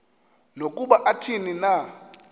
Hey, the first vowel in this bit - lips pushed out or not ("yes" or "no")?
yes